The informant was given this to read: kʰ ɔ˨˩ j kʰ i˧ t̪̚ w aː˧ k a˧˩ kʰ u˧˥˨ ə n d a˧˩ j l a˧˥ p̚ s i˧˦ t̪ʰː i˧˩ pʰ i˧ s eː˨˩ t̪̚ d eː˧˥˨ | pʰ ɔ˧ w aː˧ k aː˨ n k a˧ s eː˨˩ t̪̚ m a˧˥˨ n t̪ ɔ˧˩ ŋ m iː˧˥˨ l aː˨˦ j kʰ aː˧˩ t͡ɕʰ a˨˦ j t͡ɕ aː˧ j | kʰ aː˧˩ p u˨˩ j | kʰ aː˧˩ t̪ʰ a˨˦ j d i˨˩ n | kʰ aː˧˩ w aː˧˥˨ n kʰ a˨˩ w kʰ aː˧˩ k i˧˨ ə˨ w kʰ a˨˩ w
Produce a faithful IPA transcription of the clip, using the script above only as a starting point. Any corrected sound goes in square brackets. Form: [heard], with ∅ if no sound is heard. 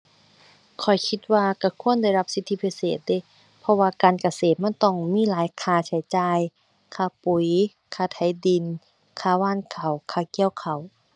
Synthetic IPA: kʰ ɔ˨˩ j kʰ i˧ t̪̚ w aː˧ k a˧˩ kʰ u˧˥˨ ə n d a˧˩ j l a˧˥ p̚ s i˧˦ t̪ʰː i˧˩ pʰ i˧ s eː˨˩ t̪̚ d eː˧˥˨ | pʰ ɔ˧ w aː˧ k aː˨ n k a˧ s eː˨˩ t̪̚ m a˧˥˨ n t̪ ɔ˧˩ ŋ m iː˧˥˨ l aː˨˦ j kʰ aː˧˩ t͡ɕʰ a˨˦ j t͡ɕ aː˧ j | kʰ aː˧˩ p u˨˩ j | kʰ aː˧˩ t̪ʰ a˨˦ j d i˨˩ n | kʰ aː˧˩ w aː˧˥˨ n kʰ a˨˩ w kʰ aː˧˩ k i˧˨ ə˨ w kʰ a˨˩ w